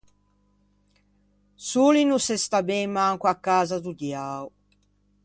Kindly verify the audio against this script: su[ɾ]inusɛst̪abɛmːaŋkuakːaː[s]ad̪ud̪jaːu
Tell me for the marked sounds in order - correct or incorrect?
incorrect, incorrect

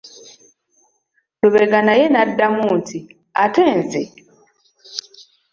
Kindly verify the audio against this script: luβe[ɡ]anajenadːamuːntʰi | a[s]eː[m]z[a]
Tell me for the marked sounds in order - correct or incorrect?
correct, incorrect, incorrect, incorrect

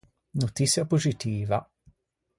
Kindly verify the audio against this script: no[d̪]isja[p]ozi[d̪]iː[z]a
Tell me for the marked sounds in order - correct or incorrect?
incorrect, correct, incorrect, incorrect

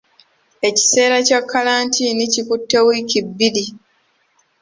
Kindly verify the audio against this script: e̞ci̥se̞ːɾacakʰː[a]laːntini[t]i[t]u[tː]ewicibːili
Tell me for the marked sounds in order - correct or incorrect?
correct, incorrect, incorrect, correct

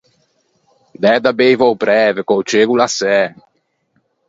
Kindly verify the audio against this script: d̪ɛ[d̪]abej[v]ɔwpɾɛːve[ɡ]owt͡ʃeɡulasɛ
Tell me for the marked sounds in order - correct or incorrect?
correct, correct, incorrect

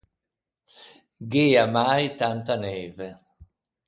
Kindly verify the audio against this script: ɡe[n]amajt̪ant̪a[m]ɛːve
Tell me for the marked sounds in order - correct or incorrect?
incorrect, incorrect

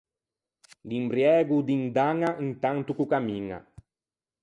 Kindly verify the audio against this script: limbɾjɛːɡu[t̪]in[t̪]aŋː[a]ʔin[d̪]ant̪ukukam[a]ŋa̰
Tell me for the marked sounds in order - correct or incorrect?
incorrect, incorrect, correct, incorrect, incorrect

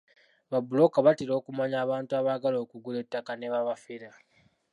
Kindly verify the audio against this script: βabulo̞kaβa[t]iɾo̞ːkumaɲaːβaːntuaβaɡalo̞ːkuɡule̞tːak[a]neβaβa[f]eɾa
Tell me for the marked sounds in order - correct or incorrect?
correct, correct, correct

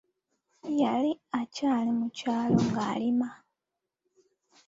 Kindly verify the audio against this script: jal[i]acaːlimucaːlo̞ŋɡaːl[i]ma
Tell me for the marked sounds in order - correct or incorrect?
correct, correct

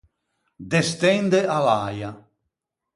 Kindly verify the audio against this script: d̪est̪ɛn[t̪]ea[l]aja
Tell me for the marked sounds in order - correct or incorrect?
incorrect, correct

